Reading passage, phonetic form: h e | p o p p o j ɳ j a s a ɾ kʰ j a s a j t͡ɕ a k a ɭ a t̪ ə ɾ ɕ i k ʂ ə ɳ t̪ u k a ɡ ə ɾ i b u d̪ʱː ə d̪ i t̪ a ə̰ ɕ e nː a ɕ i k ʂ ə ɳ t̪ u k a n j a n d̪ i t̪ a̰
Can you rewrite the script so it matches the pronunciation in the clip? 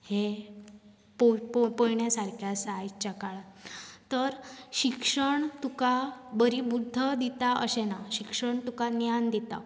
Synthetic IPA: h e | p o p p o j ɳ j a s a ɾ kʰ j a s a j t͡ɕ a k a ɭ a t̪ ə ɾ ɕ i k ʂ ə ɳ t̪ u k a b ə ɾ i b u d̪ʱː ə d̪ i t̪ a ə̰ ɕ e n a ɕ i k ʂ ə ɳ t̪ u k a n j a n d̪ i t̪ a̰